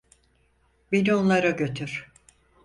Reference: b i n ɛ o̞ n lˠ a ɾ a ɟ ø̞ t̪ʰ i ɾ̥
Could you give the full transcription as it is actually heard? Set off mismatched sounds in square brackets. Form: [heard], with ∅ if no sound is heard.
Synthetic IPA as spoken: b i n [i] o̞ n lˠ a ɾ a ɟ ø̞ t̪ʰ [y] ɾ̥

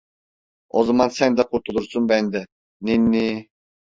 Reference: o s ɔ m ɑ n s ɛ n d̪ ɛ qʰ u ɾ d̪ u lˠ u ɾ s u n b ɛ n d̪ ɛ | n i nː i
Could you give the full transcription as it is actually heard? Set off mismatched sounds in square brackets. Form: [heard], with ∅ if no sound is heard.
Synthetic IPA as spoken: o [z] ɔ m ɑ n s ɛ n d̪ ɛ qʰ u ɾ [t̪] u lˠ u ɾ s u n b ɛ n d̪ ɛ | n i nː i

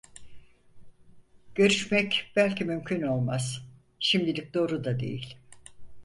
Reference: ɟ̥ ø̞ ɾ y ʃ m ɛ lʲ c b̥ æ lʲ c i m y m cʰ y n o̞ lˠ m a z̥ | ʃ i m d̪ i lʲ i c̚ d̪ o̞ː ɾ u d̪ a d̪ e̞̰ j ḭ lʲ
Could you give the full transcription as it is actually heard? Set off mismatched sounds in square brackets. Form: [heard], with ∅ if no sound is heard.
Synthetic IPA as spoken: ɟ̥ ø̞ ɾ y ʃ m ɛ [∅] c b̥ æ lʲ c i m y m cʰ y n o̞ lˠ m a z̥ | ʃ i m d̪ i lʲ i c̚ d̪ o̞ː ɾ u d̪ a d̪ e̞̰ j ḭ lʲ

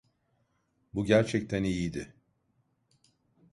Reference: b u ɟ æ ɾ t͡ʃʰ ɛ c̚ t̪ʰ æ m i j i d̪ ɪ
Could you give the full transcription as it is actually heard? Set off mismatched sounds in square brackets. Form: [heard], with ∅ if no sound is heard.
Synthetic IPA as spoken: b u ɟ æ ɾ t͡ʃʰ ɛ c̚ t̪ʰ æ [n] i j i d̪ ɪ

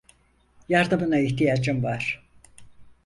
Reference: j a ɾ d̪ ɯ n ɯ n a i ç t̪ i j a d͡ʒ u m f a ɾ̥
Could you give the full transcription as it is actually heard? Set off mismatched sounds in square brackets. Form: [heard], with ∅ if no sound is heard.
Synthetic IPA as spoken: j a ɾ d̪ ɯ [m] ɯ n a i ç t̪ i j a d͡ʒ [ɯ] m [v] a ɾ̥

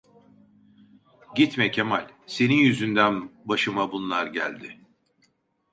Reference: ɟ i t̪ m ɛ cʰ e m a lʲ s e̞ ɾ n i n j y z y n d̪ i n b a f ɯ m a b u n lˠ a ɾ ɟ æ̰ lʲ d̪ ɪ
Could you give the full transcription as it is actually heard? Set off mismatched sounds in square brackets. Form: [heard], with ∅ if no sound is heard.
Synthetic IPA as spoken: ɟ i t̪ m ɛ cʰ e m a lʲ s e̞ [∅] n i n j y z y n d̪ [æ] n b a [ʃ] ɯ m a b u n lˠ a ɾ ɟ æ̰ lʲ d̪ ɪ

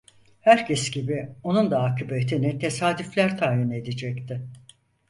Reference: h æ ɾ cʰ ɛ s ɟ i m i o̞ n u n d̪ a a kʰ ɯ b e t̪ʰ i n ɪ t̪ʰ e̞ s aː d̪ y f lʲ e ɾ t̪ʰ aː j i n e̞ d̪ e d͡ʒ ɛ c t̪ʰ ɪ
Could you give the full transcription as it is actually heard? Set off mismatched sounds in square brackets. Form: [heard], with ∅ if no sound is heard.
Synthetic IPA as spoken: h æ ɾ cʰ ɛ s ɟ i [b] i o̞ n u n d̪ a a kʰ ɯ b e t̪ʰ i n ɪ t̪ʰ e̞ s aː d̪ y f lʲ [æ] ɾ t̪ʰ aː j i n e̞ d̪ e d͡ʒ ɛ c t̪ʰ ɪ

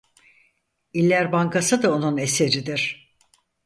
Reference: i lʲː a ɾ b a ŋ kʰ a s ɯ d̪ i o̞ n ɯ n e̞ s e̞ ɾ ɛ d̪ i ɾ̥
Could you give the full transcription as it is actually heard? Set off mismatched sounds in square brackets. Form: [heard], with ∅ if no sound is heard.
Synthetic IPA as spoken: i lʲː [æ] ɾ b a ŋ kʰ a s ɯ d̪ [a] o̞ n [u] n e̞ s e̞ ɾ [i] d̪ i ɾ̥

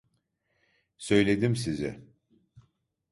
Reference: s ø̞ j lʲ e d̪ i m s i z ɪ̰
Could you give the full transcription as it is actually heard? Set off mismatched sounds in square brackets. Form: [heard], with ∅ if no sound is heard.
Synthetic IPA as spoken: s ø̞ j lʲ e d̪ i m s i z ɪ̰

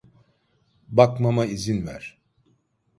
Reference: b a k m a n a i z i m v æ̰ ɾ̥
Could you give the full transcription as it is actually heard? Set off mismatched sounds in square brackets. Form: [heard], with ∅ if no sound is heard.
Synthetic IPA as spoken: b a k m a [m] a i z i [n] v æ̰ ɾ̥

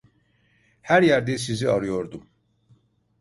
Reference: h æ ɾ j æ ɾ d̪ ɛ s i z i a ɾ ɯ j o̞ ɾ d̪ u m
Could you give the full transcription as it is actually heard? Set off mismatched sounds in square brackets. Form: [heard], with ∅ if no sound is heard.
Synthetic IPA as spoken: h æ ɾ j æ ɾ d̪ ɛ s i z i a ɾ ɯ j o̞ ɾ d̪ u m

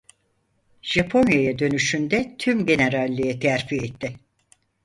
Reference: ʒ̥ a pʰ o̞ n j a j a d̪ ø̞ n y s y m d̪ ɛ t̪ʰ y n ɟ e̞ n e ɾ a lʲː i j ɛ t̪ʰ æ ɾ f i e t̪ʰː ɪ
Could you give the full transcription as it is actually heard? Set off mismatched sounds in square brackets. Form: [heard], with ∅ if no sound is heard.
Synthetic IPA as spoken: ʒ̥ a pʰ o̞ n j a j a d̪ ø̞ n y [ʃ] y [n] d̪ ɛ t̪ʰ y [m] ɟ e̞ n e ɾ a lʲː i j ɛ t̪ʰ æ ɾ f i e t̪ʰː ɪ

